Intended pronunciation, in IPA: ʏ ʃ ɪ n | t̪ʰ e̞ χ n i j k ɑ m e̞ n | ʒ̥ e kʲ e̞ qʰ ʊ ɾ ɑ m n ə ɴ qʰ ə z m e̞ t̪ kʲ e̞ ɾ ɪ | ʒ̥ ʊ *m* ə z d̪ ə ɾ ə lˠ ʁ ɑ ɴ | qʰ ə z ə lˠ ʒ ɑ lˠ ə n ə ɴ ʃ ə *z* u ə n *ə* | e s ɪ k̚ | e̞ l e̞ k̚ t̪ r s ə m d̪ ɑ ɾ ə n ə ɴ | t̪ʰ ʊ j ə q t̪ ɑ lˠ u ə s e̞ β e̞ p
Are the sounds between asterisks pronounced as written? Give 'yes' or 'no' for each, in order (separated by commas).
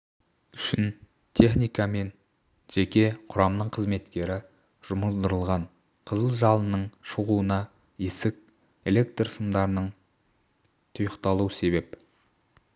yes, no, no